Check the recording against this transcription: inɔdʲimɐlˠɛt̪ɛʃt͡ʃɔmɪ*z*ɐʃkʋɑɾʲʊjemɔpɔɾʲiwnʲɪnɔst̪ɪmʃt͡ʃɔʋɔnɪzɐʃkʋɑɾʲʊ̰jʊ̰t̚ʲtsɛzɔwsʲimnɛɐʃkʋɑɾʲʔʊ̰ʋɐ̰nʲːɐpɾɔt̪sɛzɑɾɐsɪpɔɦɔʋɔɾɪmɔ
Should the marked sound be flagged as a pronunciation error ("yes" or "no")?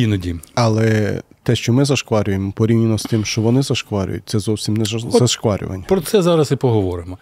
no